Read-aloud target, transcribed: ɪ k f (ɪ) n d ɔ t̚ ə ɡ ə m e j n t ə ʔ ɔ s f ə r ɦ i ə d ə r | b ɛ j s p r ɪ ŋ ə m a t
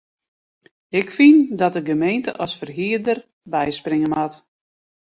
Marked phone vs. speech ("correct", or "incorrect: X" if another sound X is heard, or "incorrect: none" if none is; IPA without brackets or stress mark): incorrect: i